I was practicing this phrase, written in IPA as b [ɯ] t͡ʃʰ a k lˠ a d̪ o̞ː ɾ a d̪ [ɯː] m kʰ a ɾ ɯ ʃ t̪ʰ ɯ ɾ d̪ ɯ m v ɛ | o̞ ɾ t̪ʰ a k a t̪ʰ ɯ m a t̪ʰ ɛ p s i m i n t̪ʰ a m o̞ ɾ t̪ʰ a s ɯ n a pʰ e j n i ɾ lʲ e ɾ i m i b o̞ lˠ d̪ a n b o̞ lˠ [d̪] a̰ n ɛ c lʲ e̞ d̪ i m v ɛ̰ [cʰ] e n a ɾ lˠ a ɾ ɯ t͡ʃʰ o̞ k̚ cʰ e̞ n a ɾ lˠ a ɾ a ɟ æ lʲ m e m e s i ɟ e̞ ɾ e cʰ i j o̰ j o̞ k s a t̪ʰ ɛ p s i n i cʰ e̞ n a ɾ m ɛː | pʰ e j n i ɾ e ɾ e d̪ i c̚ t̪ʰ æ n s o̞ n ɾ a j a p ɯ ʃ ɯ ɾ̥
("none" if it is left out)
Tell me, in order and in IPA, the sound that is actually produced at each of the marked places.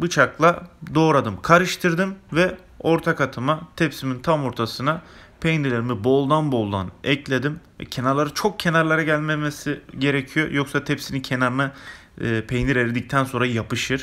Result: ɯ, ɯ, d̪, cʰ

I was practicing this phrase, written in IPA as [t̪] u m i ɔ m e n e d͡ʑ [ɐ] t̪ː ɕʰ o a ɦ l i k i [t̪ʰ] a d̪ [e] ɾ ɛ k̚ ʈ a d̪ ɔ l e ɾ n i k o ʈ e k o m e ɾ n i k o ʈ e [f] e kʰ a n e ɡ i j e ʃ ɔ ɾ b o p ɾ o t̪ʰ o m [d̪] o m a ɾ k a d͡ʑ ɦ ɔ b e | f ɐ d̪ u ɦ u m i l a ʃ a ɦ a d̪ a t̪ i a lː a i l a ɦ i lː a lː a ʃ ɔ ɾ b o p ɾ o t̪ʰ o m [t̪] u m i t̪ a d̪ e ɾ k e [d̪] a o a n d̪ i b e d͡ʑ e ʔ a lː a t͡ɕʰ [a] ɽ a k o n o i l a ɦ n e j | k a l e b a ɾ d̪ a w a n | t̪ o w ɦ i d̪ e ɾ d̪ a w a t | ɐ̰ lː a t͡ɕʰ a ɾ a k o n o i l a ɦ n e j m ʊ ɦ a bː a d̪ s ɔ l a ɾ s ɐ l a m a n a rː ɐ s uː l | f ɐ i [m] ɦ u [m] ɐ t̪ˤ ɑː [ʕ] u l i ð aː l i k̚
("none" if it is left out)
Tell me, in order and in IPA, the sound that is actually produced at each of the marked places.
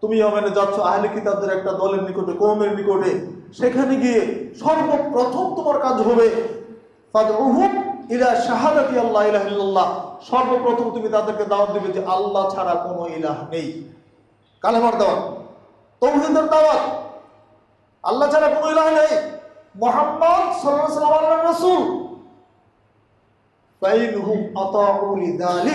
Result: t̪, a, t̪, e, ʃ, t̪, t̪, d̪, a, n, m, ʕ

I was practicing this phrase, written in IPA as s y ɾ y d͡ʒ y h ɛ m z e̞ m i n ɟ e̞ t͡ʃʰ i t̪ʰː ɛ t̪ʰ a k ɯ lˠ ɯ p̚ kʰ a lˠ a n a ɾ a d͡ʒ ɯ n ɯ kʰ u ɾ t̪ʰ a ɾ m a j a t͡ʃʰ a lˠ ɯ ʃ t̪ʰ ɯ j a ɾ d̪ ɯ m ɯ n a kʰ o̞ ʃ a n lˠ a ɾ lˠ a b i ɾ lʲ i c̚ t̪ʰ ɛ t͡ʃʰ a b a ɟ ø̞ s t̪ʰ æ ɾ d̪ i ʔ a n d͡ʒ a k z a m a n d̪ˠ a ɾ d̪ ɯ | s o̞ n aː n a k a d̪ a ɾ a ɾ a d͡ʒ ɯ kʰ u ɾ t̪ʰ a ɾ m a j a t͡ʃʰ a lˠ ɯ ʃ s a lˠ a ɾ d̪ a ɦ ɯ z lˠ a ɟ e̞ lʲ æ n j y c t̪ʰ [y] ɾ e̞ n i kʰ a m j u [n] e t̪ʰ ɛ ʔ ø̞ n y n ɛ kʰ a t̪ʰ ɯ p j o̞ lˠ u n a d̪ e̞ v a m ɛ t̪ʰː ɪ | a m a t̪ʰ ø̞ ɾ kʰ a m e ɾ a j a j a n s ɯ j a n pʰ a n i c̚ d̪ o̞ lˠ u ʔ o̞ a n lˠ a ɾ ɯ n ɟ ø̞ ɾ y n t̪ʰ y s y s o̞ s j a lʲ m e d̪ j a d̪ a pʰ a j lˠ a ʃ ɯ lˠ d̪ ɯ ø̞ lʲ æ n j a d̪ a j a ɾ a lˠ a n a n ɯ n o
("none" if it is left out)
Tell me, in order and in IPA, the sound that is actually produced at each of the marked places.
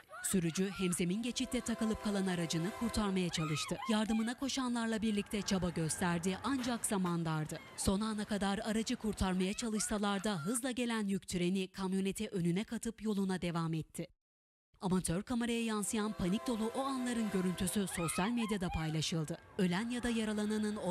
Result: y, n

